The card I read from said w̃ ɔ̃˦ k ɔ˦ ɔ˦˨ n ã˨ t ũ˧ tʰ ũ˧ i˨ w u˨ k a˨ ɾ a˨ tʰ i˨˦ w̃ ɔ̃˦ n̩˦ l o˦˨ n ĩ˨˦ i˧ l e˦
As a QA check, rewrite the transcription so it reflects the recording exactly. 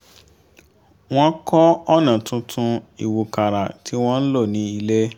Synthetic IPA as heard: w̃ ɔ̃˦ k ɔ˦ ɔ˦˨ n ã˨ t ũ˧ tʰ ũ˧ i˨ w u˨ k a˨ ɾ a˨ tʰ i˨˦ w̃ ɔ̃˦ n̩˦ l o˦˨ n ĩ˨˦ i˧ l e˦